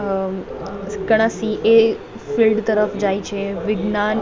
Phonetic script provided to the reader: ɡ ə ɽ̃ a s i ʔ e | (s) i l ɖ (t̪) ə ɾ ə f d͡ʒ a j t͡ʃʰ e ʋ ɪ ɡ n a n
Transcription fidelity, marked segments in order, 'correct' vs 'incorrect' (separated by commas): incorrect, correct